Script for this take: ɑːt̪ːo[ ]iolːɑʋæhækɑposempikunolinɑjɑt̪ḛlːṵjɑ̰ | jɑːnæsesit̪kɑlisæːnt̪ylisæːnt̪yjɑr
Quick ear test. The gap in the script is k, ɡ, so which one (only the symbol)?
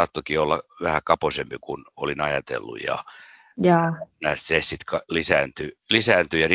k